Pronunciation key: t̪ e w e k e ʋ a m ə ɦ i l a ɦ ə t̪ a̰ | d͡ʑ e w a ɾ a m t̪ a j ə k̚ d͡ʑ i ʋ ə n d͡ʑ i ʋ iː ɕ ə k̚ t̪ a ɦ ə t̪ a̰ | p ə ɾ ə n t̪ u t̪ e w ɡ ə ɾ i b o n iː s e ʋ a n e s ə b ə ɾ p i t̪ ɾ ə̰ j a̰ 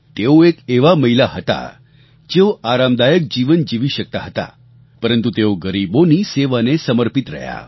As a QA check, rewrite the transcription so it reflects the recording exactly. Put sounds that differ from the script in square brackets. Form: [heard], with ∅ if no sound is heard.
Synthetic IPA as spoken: t̪ e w e k e ʋ a m ə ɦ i l a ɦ ə t̪ a̰ | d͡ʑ e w a ɾ a m [d̪] a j ə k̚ d͡ʑ i ʋ ə n d͡ʑ i ʋ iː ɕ ə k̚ t̪ a ɦ ə t̪ a̰ | p ə ɾ ə n t̪ u t̪ e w ɡ ə ɾ i b o n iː s e ʋ a n e s ə [m] ə ɾ p i t̪ ɾ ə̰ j a̰